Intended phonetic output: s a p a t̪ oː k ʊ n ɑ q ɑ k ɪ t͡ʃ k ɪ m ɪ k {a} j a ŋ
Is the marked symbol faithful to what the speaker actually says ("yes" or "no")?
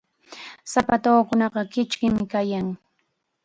yes